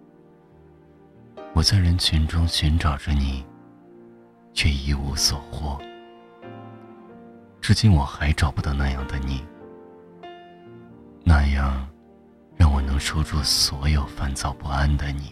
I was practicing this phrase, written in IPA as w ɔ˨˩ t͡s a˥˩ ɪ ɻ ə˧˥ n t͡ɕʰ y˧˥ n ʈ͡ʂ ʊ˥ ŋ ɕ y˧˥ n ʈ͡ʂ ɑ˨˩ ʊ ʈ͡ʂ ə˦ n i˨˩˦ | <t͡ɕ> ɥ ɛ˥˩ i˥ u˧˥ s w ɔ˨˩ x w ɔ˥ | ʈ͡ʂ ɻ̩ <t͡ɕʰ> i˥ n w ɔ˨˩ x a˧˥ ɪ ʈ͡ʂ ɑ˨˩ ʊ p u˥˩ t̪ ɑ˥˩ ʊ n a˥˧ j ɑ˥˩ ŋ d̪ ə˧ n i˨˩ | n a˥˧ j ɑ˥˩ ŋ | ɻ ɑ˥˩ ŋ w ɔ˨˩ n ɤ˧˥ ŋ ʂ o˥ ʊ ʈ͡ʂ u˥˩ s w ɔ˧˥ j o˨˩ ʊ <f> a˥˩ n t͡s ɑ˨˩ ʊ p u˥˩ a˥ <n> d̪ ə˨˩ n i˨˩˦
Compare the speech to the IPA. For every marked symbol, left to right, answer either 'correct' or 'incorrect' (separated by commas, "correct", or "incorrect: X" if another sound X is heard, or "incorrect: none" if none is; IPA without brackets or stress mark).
incorrect: t͡ɕʰ, incorrect: t͡ɕ, correct, correct